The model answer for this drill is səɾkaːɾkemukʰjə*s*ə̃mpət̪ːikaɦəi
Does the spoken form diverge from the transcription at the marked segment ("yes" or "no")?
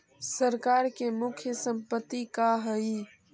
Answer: no